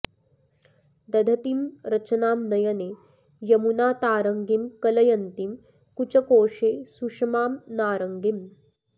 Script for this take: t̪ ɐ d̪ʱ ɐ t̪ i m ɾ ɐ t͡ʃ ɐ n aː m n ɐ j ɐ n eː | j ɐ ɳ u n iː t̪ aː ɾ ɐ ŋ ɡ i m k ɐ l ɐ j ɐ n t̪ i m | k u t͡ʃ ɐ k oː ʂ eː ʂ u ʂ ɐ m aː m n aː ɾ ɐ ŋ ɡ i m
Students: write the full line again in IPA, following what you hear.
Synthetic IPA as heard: d̪ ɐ d̪ʱ ɐ t̪ i m ɾ ɐ t͡ʃ ɐ n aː m n ɐ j ɐ n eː | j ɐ m u n aː t̪ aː ɾ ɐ ŋ ɡ i m k ɐ l ɐ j ɐ n t̪ i m | k u t͡ʃ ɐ k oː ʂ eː s u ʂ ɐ m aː m n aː ɾ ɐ ŋ ɡ i m